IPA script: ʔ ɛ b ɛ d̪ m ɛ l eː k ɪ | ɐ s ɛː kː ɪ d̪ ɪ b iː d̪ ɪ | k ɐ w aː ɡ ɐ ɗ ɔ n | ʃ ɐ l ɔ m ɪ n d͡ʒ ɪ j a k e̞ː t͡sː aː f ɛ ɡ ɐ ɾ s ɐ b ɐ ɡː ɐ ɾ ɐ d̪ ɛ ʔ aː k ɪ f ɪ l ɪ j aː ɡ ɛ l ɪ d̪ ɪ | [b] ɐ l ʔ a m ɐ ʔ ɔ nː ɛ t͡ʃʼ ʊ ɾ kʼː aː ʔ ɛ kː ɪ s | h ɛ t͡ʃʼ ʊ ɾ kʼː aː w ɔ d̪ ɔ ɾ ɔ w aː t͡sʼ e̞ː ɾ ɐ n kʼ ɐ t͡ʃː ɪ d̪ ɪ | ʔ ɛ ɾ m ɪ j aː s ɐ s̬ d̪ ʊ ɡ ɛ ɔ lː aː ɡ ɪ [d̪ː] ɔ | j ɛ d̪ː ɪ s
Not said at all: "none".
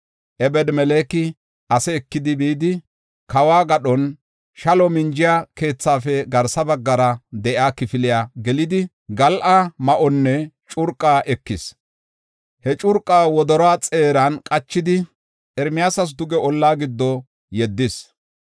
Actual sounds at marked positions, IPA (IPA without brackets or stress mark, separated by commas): ɡ, d̪ː